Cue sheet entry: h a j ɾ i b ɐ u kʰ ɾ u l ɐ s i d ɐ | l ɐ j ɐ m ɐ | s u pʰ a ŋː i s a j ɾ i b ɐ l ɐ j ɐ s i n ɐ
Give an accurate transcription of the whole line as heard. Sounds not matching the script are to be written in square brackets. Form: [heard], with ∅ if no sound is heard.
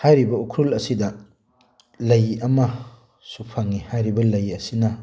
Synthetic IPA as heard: h a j ɾ i b ɐ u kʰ ɾ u l ɐ s i d ɐ | l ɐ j ɐ m ɐ | s u pʰ a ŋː i [h] a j ɾ i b ɐ l ɐ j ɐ s i n ɐ